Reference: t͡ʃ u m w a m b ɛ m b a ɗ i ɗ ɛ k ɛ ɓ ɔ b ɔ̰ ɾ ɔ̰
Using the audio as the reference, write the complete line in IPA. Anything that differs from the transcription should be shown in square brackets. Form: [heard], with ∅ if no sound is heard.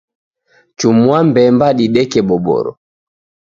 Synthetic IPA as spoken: t͡ʃ u m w a m b ɛ m b a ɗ i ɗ ɛ k ɛ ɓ ɔ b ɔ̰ ɾ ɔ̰